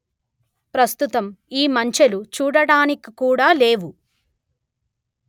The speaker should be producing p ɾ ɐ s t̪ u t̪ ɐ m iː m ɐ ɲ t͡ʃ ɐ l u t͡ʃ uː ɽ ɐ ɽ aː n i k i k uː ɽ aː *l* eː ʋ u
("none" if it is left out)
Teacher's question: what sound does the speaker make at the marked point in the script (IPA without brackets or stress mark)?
l